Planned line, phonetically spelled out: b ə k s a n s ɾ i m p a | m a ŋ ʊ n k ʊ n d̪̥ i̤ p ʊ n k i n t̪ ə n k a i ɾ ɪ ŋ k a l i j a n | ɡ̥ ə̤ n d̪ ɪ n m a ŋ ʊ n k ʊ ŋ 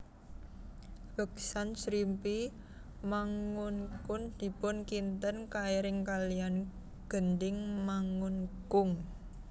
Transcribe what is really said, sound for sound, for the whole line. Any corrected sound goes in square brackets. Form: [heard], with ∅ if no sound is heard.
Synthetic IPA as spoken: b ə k s a n s ɾ i m p [i] | m a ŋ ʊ n k ʊ n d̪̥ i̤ p ʊ n k i n t̪ ə n k a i ɾ ɪ ŋ k a l i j a n | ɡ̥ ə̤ n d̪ ɪ [ŋ] m a ŋ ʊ n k ʊ ŋ